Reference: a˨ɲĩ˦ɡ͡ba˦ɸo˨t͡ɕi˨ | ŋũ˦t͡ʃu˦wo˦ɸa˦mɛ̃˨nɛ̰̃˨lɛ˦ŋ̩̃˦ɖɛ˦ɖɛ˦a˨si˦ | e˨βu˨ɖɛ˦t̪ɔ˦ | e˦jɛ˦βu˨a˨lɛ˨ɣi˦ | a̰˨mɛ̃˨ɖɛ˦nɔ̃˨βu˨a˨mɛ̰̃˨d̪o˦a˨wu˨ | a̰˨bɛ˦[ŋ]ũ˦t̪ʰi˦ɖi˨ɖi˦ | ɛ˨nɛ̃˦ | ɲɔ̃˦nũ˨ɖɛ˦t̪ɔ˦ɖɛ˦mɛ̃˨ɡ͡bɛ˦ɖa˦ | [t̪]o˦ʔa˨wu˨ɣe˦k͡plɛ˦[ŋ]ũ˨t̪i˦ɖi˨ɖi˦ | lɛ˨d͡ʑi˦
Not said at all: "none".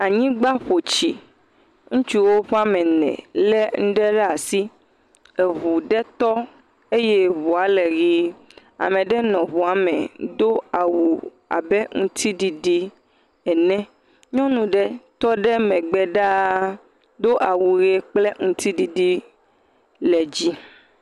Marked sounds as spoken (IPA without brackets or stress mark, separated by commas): ŋ, d̪, ŋ